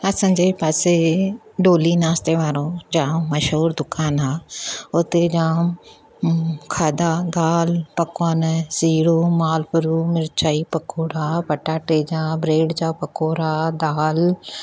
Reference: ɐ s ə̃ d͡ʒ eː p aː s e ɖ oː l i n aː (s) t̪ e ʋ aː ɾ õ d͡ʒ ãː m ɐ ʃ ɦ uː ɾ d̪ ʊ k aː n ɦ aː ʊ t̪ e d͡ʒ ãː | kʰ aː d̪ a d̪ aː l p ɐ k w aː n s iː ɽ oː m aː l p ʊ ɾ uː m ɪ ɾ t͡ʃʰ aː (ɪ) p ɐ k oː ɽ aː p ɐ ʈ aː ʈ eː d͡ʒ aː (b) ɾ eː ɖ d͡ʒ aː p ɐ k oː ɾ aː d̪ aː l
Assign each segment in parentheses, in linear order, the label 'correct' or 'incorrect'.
correct, incorrect, correct

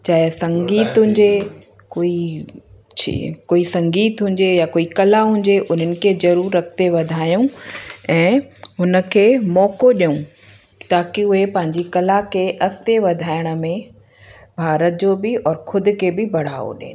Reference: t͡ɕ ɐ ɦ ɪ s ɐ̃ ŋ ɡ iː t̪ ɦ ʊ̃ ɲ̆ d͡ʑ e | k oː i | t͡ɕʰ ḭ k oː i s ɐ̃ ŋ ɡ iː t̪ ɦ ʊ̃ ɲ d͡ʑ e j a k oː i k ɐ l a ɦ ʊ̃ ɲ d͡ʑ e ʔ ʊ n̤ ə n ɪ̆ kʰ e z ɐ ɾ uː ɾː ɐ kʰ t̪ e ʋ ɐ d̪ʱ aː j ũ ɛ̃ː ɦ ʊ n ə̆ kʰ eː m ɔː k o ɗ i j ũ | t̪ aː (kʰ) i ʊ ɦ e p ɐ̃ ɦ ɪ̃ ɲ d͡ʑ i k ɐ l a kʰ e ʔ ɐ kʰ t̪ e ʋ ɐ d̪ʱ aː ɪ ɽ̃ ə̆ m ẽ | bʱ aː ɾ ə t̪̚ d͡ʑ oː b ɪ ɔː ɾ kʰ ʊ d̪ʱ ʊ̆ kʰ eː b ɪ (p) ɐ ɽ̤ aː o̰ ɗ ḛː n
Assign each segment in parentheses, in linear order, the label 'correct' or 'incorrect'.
incorrect, incorrect

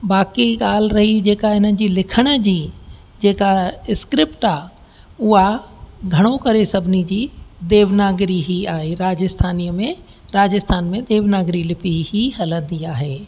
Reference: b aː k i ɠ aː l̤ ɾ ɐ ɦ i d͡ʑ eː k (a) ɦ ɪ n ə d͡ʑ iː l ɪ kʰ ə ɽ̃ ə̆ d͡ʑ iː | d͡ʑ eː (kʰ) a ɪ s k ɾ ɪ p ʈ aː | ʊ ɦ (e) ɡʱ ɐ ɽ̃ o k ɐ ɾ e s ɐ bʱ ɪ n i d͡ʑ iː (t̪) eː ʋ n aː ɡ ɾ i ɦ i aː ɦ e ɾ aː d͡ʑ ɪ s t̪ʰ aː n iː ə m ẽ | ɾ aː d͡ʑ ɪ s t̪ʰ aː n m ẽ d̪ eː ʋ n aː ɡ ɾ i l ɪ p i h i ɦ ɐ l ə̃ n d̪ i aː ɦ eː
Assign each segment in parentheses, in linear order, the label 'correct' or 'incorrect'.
correct, incorrect, incorrect, incorrect

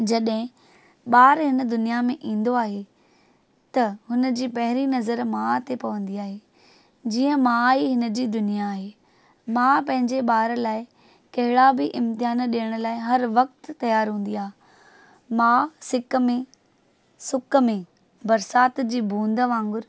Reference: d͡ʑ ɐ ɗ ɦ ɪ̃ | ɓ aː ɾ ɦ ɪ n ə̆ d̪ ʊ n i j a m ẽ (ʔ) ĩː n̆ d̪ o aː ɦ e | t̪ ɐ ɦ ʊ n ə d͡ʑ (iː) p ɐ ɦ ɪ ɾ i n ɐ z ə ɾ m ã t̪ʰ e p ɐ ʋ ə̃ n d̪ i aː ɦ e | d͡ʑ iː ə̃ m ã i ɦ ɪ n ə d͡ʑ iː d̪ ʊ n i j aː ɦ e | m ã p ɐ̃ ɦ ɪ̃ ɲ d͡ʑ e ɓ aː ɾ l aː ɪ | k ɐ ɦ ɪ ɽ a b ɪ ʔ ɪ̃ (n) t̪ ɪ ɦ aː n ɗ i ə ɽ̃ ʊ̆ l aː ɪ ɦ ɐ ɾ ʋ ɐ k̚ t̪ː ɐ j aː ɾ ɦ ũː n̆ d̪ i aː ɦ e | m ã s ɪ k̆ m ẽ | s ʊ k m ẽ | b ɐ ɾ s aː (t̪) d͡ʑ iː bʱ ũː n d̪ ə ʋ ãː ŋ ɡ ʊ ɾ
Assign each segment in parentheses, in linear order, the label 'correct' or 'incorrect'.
correct, correct, incorrect, correct

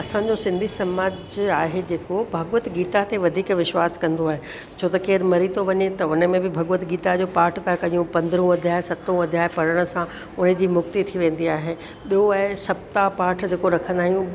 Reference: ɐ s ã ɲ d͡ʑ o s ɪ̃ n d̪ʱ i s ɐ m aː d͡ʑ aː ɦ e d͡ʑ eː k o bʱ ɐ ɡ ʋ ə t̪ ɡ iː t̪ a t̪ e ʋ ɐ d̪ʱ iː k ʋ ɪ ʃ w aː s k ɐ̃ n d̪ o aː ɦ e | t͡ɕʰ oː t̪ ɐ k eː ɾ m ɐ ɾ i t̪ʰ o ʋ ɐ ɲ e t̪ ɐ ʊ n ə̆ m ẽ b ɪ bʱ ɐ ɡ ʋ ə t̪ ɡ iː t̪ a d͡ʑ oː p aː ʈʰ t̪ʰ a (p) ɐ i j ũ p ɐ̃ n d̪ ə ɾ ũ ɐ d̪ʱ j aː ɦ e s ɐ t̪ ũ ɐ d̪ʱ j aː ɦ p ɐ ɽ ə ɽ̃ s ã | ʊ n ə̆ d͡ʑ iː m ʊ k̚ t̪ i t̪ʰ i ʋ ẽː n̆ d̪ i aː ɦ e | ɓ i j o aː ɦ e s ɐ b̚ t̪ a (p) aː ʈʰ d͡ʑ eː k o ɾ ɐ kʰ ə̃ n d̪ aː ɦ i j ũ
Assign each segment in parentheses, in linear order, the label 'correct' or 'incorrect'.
incorrect, correct

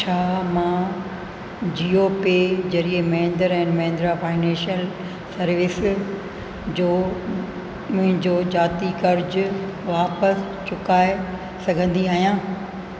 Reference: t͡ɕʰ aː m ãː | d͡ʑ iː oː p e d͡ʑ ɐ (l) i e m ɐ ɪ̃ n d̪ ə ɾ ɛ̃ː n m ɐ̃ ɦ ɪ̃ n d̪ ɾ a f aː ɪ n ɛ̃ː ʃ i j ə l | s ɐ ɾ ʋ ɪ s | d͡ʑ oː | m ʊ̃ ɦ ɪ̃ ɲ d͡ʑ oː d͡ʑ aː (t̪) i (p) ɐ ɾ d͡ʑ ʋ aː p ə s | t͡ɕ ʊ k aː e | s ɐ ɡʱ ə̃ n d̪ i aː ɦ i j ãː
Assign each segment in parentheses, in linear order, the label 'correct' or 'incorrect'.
incorrect, correct, incorrect

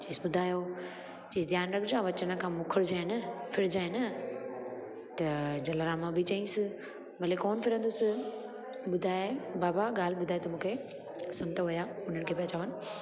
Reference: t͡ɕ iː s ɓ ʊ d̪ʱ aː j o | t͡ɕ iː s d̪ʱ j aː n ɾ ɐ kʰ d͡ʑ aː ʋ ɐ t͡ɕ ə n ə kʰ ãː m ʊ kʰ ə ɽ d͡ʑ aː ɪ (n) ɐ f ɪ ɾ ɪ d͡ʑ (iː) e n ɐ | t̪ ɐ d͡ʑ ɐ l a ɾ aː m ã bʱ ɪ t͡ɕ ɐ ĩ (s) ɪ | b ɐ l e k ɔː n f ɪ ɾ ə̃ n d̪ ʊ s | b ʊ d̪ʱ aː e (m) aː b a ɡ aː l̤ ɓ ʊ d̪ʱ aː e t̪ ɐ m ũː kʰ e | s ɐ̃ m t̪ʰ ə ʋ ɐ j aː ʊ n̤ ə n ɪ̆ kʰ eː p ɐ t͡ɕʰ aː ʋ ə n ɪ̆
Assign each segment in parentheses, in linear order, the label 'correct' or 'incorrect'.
correct, incorrect, correct, incorrect

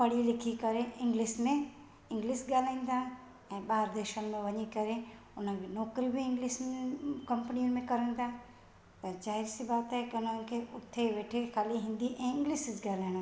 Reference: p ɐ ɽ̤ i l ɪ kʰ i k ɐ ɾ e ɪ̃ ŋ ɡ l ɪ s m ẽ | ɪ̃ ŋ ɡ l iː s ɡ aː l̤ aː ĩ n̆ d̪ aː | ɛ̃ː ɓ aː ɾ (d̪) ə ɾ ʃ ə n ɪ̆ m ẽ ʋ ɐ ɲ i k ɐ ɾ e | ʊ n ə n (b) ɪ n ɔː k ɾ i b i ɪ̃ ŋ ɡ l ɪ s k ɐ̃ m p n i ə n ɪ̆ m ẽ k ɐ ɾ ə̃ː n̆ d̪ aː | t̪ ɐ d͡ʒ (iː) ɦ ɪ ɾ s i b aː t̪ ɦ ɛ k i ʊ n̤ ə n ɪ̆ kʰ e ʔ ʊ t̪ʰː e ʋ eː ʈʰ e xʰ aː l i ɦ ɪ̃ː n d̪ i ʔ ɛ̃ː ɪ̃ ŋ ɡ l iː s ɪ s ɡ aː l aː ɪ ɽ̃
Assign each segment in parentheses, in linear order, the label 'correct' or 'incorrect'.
correct, correct, incorrect

